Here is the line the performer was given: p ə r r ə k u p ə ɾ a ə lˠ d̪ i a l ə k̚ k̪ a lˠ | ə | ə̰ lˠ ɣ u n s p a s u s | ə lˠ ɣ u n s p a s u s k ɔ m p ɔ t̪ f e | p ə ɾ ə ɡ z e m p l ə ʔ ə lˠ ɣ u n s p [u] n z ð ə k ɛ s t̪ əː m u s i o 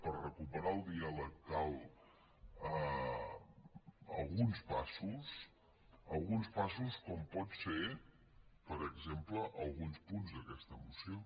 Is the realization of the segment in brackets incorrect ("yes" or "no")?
no